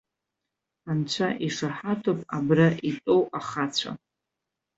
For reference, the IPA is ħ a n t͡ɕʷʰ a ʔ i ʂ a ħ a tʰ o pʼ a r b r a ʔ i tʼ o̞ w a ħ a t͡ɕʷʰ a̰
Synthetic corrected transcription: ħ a n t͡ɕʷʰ a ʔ i ʂ a ħ a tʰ o pʼ a b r a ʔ i tʼ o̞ w a χ a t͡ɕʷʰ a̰